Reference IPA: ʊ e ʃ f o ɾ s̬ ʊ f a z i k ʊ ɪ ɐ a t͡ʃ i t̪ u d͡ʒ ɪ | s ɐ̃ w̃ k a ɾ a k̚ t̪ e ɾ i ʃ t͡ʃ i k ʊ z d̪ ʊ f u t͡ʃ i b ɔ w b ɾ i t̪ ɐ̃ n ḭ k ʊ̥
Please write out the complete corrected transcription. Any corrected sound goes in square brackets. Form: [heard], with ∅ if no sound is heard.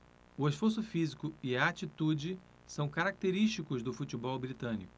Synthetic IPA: ʊ e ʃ f o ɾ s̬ ʊ f [i] z i k ʊ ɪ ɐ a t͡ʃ i t̪ u d͡ʒ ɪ | s ɐ̃ w̃ k a ɾ a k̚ t̪ e ɾ i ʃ t͡ʃ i k ʊ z d̪ ʊ f u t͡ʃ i b ɔ w b ɾ i t̪ ɐ̃ n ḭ k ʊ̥